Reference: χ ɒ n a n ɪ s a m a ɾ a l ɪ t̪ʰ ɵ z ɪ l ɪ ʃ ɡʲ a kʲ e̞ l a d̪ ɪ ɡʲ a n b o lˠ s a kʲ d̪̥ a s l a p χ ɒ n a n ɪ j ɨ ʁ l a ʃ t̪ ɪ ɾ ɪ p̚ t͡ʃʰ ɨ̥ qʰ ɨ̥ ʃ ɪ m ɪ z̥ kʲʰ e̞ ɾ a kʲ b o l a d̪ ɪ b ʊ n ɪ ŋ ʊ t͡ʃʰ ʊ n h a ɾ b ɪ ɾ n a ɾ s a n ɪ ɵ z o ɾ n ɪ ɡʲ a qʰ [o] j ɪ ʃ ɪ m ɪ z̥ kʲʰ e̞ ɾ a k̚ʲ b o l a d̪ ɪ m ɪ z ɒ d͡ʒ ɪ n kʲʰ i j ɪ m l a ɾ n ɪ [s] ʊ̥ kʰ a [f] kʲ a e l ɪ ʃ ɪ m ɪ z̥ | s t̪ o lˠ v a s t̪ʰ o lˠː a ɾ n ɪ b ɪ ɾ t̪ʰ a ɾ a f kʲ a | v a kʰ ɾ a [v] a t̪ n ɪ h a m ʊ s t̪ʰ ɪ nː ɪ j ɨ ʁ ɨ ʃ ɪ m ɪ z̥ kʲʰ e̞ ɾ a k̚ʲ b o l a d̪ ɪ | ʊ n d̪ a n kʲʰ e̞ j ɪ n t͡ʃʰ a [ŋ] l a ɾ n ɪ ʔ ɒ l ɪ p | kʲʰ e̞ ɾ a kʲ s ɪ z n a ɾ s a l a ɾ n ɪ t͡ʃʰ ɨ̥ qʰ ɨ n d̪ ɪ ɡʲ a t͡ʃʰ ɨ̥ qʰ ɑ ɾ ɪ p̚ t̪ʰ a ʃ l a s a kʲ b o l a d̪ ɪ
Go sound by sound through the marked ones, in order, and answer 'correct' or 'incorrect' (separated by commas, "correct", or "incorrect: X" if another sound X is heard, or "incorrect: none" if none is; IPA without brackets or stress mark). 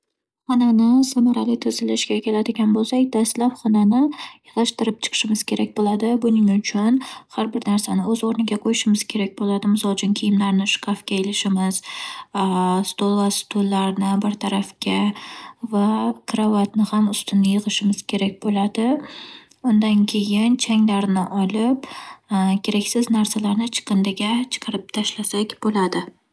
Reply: correct, incorrect: ʃ, correct, correct, correct